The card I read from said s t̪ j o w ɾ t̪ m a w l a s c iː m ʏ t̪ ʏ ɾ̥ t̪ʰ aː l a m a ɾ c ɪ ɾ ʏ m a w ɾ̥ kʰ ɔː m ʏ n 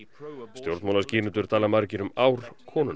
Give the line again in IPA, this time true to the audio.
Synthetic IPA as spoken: s t̪ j o w ɾ t̪ m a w l a s c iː n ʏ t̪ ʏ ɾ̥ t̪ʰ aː l a m a ɾ c ɪ ɾ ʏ m a w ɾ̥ kʰ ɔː n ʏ n